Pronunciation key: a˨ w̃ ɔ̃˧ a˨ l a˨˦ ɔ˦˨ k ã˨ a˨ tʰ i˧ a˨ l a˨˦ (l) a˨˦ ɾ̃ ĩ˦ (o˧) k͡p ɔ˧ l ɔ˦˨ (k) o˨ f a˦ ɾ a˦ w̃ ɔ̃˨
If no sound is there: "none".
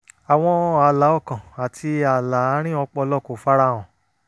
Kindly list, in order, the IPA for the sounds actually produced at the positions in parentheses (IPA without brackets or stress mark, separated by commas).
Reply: none, ɔ˧, k